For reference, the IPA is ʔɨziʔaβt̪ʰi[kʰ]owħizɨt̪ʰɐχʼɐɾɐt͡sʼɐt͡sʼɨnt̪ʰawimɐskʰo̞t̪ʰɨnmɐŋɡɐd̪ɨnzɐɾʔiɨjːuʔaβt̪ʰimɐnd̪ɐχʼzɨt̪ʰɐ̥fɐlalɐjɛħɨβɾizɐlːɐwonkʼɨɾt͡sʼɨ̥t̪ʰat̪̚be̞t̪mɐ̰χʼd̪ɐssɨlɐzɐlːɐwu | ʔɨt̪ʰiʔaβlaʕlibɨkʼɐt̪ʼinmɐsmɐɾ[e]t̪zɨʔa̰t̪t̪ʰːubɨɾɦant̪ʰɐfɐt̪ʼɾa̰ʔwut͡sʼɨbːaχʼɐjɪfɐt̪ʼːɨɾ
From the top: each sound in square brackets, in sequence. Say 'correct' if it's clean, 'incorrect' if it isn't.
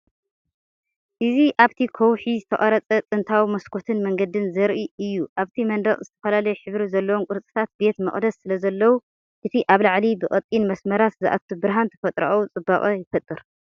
correct, incorrect

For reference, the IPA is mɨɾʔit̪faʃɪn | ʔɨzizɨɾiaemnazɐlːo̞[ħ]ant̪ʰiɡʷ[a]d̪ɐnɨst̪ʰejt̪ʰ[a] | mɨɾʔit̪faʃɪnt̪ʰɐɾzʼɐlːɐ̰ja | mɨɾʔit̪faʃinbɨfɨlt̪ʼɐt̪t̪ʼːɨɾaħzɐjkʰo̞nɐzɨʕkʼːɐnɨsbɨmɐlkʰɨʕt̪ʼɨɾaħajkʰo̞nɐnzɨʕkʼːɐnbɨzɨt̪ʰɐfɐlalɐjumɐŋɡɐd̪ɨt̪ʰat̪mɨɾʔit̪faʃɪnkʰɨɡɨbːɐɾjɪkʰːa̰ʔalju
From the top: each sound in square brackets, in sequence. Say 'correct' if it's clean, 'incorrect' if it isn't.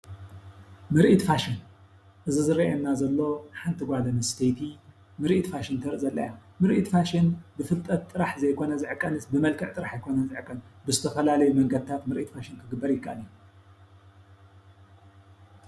correct, correct, incorrect

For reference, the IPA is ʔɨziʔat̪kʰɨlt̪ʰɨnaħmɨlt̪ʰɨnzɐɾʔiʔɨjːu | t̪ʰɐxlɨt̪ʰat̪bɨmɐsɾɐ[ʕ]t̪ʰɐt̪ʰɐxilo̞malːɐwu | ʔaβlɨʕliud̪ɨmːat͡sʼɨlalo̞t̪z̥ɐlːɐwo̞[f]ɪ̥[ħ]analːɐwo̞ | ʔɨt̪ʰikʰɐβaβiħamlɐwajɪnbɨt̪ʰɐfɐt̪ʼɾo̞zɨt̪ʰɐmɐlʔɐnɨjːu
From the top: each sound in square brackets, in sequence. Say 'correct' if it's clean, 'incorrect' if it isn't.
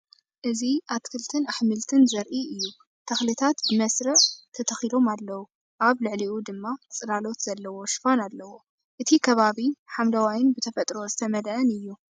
correct, incorrect, incorrect

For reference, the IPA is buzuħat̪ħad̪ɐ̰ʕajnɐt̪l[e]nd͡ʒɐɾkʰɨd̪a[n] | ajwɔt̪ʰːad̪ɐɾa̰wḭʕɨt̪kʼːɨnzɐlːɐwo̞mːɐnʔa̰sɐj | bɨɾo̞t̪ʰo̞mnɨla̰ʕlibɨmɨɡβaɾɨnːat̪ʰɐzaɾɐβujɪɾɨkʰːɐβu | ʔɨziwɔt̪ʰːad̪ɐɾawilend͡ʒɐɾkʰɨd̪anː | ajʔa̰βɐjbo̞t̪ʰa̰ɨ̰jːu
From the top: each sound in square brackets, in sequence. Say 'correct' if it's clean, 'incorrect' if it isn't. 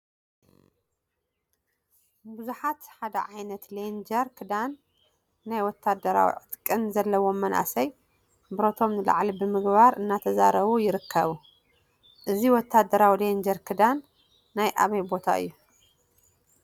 correct, incorrect

